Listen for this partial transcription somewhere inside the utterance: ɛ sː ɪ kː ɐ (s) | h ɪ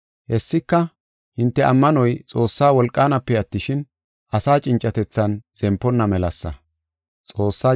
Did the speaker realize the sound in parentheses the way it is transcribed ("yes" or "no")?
no